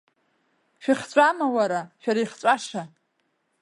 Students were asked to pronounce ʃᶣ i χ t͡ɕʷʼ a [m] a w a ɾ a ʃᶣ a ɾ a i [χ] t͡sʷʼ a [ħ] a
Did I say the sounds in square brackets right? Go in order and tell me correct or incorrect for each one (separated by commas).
correct, correct, incorrect